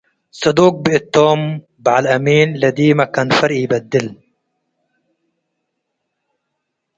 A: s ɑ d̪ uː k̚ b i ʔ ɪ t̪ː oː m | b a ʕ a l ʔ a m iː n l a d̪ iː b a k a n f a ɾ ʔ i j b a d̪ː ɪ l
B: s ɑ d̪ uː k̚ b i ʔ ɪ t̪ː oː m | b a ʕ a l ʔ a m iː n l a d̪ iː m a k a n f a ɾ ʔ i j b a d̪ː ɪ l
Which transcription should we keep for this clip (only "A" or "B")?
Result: B